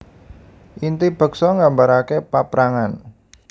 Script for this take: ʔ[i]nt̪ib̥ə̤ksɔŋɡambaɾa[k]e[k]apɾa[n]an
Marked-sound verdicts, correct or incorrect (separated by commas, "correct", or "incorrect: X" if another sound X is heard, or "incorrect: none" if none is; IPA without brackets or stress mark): correct, correct, incorrect: p, incorrect: ŋ